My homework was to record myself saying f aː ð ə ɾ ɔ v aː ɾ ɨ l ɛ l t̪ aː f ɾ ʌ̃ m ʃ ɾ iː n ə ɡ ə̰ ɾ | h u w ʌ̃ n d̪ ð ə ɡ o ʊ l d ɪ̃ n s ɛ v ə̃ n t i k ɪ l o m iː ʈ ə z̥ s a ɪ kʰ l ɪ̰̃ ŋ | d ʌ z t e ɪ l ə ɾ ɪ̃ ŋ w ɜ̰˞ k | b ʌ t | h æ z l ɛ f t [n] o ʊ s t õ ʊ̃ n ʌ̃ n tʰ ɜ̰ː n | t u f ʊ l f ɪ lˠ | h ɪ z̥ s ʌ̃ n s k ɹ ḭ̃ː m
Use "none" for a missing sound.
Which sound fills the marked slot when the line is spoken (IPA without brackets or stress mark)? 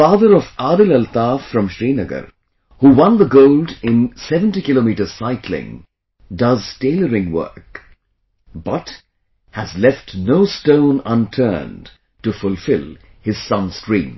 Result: n